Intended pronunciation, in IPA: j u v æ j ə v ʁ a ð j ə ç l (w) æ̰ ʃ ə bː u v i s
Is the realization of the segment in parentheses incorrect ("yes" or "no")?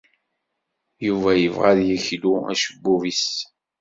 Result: yes